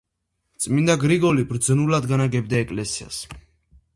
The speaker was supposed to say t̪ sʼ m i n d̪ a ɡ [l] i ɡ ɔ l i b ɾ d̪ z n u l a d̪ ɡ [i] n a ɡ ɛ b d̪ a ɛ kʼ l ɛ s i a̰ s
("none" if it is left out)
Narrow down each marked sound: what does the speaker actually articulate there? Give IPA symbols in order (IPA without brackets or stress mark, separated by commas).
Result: ɾ, a